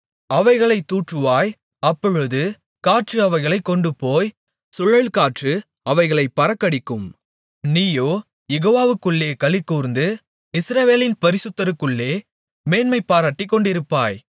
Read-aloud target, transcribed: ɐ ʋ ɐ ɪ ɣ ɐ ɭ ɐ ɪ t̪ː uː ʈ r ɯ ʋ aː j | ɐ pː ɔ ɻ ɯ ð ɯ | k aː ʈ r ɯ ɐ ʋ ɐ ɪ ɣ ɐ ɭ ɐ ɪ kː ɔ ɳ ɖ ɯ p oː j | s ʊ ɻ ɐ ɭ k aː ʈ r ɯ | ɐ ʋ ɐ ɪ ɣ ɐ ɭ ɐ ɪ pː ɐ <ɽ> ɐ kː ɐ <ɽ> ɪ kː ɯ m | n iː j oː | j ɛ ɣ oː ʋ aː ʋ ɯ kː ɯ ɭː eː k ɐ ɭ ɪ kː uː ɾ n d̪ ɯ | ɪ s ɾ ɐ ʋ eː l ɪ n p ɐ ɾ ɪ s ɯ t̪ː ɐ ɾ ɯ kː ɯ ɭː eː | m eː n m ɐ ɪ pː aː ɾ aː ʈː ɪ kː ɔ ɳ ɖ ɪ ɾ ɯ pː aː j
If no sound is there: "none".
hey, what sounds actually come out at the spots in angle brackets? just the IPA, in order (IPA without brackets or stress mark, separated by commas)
ɾ, ɽ